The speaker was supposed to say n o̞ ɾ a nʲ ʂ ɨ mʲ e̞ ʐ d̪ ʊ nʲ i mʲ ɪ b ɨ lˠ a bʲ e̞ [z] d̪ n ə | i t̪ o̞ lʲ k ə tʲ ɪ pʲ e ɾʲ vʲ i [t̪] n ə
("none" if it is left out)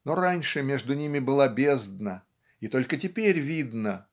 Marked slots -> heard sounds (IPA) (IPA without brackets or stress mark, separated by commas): z, d̪